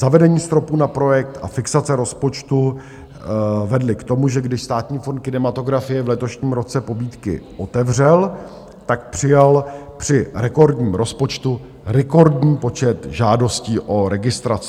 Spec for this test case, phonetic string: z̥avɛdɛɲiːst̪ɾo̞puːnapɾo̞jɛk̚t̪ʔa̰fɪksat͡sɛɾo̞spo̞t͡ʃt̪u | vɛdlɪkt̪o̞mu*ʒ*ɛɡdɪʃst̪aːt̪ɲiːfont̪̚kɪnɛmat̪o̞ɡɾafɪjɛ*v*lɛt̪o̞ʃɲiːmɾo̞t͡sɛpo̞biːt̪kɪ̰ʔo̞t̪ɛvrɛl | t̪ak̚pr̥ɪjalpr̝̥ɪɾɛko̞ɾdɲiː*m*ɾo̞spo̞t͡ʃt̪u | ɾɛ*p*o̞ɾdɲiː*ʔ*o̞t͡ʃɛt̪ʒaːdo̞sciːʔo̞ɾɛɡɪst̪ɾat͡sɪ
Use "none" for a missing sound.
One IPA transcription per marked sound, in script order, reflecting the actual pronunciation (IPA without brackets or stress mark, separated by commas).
ʒ, v, m, k, p